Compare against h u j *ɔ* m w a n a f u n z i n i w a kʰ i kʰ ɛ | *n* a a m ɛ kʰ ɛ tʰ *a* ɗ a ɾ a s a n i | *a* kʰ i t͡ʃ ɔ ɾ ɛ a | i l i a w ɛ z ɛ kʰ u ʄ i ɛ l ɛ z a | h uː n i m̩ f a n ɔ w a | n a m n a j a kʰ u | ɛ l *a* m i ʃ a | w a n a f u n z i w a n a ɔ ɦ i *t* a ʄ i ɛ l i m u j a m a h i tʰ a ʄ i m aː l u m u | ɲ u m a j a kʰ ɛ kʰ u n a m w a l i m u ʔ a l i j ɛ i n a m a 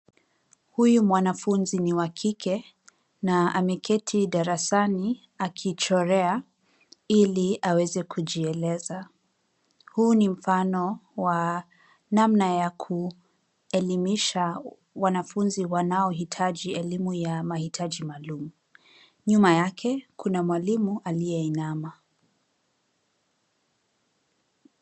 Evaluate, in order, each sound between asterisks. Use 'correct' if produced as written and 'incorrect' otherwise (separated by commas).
incorrect, correct, incorrect, correct, incorrect, incorrect